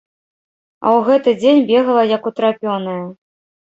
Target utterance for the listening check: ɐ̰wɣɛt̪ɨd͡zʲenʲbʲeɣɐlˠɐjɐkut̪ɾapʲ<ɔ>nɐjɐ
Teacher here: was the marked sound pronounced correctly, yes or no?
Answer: yes